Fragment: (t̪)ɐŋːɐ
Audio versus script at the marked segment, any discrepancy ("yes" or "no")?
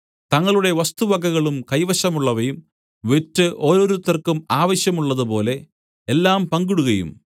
no